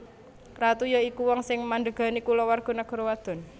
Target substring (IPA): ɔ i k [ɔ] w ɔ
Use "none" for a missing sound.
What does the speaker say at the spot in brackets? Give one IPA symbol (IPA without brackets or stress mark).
u